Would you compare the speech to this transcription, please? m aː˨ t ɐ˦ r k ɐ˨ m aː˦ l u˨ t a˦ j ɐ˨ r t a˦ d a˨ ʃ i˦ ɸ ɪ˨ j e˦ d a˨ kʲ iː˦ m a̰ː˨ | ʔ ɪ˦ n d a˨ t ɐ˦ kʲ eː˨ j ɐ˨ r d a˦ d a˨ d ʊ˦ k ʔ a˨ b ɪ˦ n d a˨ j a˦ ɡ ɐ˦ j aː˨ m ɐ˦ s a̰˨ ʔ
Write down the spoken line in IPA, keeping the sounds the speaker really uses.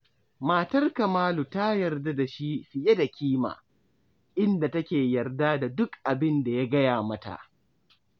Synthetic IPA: m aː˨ t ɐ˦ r k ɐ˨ m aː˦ l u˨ t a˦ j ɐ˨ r d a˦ d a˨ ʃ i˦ ɸ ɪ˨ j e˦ d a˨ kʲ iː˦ m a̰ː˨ | ʔ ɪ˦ n d a˨ t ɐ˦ kʲ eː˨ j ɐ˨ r d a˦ d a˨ d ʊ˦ k ʔ a˨ b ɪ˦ n d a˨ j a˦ ɡ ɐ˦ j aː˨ m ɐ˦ t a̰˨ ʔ